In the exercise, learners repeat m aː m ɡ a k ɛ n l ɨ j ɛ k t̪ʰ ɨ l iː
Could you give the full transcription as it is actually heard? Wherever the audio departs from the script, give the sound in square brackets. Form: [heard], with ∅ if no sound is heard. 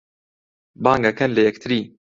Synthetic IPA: [b] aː [ŋ] ɡ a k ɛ n l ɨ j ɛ k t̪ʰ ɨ [ɾ] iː

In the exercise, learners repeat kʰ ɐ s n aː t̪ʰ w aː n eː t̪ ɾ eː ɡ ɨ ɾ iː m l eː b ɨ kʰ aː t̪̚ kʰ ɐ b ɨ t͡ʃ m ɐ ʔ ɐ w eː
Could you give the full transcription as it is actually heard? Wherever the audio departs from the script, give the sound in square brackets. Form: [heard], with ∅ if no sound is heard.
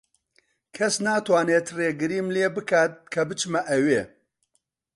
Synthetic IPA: kʰ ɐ s n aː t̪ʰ w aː n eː t̪ [r] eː ɡ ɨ ɾ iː m l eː b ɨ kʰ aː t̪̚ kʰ ɐ b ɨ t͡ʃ m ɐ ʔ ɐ w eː

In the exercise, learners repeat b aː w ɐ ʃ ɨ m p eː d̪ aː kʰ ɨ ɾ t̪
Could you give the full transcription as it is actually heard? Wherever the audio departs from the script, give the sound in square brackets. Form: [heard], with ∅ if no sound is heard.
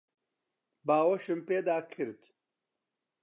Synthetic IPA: b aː w ɐ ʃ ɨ m p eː d̪ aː kʰ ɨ ɾ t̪

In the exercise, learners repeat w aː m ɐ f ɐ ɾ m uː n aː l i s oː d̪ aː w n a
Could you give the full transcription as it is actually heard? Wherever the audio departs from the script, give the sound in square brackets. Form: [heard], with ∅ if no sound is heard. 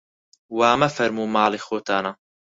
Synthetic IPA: w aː m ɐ f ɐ ɾ m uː [m] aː l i [x] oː [t̪] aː [∅] n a

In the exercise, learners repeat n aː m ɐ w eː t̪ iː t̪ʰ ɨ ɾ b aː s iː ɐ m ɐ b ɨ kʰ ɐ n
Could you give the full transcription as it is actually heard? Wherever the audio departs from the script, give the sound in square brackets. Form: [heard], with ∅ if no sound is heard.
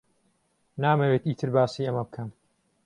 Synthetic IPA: n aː m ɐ w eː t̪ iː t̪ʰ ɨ ɾ b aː s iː ɐ m ɐ b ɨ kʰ ɐ [m]

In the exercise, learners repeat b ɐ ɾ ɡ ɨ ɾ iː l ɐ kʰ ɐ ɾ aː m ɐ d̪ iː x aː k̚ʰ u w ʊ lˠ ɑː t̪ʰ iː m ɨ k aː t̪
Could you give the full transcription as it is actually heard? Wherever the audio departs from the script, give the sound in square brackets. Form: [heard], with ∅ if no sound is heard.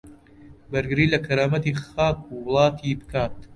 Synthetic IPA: b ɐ ɾ ɡ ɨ ɾ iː l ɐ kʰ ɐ ɾ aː m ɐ [t̪] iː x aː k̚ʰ u w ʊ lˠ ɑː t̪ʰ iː [b] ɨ k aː t̪

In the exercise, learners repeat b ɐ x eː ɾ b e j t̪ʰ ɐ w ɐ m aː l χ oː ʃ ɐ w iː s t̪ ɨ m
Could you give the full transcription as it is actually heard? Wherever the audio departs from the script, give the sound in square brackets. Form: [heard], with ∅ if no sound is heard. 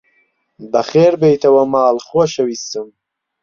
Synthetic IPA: b ɐ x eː ɾ b e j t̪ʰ ɐ w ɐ m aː l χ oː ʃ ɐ w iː s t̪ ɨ m

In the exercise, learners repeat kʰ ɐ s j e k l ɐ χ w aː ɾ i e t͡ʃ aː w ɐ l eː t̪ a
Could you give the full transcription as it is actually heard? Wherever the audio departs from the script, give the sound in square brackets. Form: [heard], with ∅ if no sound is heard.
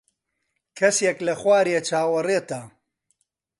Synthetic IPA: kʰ ɐ s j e k l ɐ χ w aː ɾ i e t͡ʃ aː w ɐ [r] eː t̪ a

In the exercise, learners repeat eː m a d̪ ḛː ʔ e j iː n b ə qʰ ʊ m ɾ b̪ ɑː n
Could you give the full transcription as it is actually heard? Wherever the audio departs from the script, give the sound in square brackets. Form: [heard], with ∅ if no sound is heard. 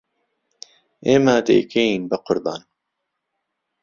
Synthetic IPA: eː m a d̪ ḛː [k] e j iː n b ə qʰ ʊ [∅] ɾ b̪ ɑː n

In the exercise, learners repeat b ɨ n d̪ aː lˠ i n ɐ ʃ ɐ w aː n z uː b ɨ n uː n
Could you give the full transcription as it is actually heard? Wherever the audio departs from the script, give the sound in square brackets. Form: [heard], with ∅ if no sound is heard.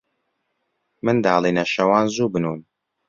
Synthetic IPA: [m] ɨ n d̪ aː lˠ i n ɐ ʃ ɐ w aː n z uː b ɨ n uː n

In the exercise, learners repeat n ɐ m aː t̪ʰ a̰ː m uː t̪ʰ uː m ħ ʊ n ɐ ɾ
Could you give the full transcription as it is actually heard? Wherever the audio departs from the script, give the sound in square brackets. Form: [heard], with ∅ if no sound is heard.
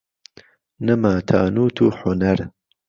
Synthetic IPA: n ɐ m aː t̪ʰ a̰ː [n] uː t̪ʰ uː [∅] ħ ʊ n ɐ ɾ

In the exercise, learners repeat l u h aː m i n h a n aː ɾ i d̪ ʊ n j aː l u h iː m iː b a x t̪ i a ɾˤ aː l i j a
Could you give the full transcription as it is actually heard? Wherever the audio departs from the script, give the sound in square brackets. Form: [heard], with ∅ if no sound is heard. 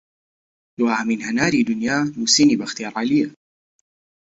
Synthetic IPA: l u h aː m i n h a n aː ɾ i d̪ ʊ n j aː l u [s] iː [n] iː b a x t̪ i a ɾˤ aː l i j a

